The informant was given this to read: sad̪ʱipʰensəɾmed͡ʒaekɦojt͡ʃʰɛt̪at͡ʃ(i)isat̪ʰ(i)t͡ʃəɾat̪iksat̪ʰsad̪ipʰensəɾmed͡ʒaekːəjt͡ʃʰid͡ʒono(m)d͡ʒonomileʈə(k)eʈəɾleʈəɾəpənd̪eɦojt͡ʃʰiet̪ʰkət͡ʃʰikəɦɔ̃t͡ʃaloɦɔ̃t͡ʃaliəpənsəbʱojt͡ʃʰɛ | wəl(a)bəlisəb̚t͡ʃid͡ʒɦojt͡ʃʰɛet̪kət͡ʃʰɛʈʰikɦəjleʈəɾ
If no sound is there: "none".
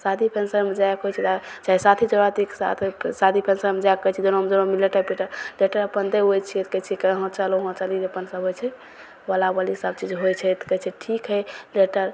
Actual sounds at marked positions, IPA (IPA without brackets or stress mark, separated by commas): a, i, m, p, a